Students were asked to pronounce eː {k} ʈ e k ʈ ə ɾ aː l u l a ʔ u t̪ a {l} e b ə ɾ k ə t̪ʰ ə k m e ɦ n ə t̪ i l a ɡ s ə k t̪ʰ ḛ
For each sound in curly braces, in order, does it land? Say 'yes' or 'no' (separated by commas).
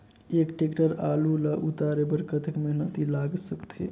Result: yes, no